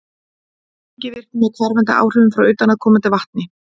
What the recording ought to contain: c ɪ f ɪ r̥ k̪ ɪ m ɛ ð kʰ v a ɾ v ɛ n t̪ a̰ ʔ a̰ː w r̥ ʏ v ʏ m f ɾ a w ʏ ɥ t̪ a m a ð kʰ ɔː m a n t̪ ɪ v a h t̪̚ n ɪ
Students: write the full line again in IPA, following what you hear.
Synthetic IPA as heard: c ɪ v ɪ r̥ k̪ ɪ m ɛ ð kʰ v a ɾ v ɛ n t̪ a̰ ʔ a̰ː w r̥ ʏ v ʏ m f ɾ a w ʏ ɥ t̪ a n a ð kʰ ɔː m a n t̪ ɪ v a h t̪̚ n ɪ